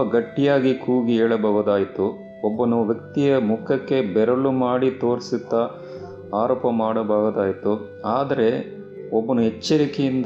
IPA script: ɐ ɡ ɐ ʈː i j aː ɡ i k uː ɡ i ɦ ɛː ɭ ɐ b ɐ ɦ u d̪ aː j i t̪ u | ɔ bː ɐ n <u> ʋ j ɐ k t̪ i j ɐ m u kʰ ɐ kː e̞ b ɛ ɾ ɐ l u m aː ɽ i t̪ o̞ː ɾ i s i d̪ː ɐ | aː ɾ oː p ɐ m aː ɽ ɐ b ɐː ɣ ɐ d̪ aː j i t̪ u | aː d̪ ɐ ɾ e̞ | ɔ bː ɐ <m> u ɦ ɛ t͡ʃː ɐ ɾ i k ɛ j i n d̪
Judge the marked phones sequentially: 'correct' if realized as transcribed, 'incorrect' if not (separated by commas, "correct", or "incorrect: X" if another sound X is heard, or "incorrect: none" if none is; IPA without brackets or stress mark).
correct, incorrect: n